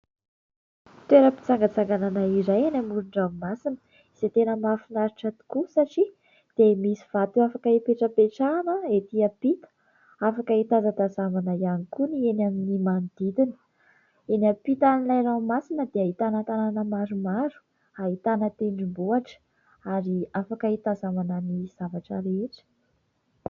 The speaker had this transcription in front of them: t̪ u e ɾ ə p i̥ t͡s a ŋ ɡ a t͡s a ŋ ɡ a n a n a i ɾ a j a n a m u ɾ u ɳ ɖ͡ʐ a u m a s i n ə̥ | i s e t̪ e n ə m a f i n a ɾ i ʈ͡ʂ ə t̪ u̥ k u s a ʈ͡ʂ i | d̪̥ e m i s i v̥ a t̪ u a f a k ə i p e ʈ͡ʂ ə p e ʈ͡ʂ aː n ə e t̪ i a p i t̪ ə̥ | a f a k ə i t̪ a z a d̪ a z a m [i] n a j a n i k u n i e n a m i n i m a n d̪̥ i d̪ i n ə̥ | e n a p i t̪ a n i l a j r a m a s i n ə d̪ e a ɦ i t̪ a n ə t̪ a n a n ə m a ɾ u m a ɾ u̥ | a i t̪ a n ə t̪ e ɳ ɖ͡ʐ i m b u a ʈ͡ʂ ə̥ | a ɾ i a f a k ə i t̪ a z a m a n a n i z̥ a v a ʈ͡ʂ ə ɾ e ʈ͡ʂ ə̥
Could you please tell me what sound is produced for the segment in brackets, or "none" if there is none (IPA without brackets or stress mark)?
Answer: a